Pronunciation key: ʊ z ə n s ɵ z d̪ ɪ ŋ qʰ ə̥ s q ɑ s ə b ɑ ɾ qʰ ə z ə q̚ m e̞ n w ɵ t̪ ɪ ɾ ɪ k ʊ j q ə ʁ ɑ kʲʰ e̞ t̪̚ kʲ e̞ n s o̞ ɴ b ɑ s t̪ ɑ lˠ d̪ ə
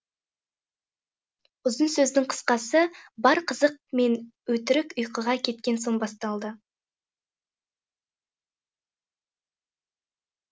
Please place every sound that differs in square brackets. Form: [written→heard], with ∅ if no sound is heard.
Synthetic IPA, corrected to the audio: ʊ z ə n s ɵ z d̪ ɪ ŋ qʰ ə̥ s q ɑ s ə b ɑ ɾ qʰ ə z ə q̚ m e̞ n w ɵ t̪ ɪ ɾ ɪ k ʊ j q ə ʁ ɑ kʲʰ e̞ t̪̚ kʲ e̞ n s o̞ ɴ b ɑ s t̪ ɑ lˠ d̪ ə